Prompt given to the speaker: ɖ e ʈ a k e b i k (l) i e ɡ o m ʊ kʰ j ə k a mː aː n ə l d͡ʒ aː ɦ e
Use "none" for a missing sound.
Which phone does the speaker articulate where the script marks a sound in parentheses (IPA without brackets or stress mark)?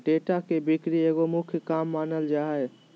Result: ɾ